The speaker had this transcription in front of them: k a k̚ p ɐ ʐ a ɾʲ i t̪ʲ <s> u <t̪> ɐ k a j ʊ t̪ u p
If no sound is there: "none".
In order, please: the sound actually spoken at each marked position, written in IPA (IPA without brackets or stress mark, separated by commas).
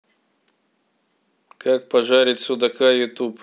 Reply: s, d̪